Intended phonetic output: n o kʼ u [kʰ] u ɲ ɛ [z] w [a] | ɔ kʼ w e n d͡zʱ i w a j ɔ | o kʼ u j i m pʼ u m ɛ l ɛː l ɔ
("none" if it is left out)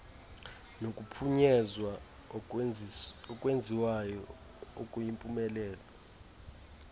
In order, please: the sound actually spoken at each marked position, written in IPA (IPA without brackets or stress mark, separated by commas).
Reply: pʰ, z, a